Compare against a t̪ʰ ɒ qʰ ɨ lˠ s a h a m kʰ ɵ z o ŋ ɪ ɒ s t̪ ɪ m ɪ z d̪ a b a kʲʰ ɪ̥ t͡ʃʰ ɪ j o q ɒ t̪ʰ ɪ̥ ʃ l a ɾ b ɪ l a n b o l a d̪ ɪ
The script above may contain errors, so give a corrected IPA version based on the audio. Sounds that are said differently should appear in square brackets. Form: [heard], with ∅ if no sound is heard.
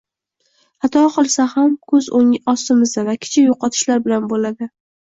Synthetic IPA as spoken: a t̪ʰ ɒ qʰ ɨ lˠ s a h a m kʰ ɵ z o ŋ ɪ ɒ s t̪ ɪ m ɪ z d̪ a [v] a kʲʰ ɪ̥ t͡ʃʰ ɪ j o q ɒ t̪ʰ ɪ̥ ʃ l a ɾ b ɪ l a n b o l a d̪ ɪ